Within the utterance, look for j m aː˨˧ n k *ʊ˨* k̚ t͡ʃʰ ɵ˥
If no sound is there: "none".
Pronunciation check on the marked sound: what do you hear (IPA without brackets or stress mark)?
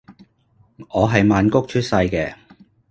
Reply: ʊ˥